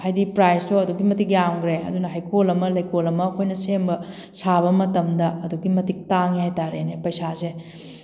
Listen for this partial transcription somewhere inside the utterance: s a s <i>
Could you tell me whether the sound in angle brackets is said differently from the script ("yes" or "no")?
yes